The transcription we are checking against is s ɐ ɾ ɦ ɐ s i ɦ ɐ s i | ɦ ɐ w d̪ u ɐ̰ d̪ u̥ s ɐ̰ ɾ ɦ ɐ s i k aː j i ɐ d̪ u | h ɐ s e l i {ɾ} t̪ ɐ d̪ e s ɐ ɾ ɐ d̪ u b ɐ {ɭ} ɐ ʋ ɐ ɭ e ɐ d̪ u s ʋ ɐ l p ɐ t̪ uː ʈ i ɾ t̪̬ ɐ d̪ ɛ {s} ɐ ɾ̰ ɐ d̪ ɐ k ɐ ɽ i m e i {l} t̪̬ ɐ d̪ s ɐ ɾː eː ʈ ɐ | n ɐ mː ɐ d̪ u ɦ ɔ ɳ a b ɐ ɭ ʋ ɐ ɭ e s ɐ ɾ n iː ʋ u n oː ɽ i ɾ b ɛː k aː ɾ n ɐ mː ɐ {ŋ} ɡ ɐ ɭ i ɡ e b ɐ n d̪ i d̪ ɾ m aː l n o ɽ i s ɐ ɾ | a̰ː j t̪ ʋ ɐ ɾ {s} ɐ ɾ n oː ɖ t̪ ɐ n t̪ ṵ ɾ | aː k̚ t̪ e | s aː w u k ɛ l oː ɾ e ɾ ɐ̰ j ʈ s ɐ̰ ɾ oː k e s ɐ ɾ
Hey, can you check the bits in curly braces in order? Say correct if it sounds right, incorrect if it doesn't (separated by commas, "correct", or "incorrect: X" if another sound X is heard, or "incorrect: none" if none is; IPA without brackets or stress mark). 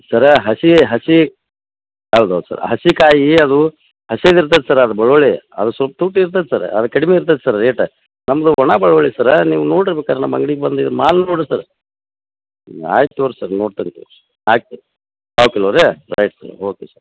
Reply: correct, correct, correct, incorrect: ɾ, correct, correct